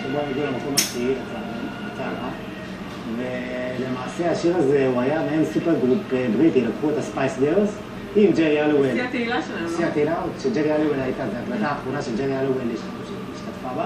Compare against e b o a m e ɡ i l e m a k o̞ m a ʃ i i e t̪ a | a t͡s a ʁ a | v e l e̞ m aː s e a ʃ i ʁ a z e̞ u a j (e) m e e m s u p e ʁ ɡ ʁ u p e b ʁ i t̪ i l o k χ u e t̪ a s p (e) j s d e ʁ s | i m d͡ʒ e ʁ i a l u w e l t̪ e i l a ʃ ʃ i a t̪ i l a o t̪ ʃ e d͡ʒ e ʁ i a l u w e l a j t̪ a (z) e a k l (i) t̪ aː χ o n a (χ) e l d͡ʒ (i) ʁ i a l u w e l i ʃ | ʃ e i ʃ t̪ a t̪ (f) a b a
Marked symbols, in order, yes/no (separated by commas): no, no, yes, no, no, no, yes